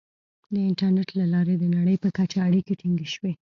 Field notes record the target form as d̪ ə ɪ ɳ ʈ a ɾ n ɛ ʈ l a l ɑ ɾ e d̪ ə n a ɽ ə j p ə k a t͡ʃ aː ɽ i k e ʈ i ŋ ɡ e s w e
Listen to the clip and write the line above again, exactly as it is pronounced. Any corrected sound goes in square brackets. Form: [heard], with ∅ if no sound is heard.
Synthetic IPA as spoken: d̪ ə ɪ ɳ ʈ a ɾ n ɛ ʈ l a l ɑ ɾ e d̪ ə n a ɽ ə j p ə k a t͡ʃ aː ɽ i k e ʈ i ŋ ɡ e [ʃ] w e